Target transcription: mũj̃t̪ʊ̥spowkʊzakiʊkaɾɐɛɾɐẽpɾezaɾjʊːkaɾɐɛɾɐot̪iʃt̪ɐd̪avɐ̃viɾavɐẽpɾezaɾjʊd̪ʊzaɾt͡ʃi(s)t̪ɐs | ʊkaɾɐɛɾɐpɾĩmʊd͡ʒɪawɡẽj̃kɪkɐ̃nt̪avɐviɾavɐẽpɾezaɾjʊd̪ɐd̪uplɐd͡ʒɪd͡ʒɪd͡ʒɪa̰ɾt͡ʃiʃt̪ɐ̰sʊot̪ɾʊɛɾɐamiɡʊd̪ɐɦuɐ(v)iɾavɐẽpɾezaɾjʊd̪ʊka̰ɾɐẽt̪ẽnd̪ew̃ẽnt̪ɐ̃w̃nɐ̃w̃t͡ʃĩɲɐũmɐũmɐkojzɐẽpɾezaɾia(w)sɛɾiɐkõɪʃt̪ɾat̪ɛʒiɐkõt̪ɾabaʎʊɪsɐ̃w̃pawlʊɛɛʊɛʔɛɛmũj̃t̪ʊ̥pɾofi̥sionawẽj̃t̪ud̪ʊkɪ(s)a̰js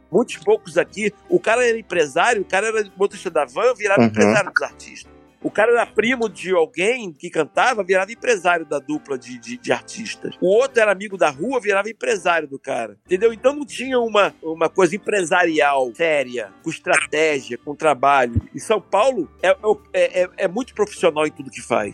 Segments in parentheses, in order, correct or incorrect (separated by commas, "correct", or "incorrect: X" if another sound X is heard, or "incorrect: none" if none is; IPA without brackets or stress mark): incorrect: ʃ, correct, correct, incorrect: f